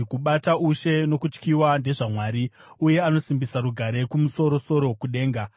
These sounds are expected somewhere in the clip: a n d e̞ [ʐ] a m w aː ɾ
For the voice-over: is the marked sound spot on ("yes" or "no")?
yes